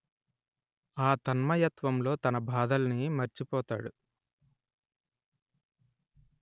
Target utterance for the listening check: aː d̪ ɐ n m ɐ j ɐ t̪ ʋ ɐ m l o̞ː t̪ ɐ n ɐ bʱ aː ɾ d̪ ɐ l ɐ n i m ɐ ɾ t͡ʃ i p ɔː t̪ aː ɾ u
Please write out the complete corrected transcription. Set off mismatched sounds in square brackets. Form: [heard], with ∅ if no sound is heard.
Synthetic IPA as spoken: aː [t̪] ɐ n m ɐ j ɐ t̪ ʋ ɐ m l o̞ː t̪ ɐ n ɐ bʱ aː [∅] d̪ ɐ l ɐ n i m ɐ ɾ t͡ʃ i p ɔː t̪ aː [ɽ] u